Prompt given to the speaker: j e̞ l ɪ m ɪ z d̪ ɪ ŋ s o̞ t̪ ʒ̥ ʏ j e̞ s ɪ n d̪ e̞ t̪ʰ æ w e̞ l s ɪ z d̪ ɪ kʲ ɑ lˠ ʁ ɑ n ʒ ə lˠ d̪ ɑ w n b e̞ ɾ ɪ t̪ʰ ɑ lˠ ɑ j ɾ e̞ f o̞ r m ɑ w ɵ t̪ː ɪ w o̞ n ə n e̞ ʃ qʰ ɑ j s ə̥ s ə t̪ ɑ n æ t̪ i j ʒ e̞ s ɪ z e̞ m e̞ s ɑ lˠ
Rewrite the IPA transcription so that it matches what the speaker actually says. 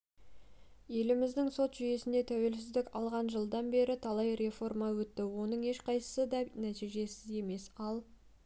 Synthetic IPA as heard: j e̞ l ɪ m ɪ z d̪ ɪ ŋ s o̞ t̪ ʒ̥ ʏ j e̞ s ɪ n d̪ e̞ t̪ʰ æ w e̞ l s ɪ z d̪ ɪ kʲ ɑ lˠ ʁ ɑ n ʒ ə lˠ d̪ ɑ n b e̞ ɾ ɪ t̪ʰ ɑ lˠ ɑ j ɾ e̞ f o̞ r m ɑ w ɵ t̪ː ɪ w o̞ n ə ɴ e̞ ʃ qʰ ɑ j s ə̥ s ə d̪ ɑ n æ t̪ i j ʒ e̞ s ɪ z e̞ m e̞ s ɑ lˠ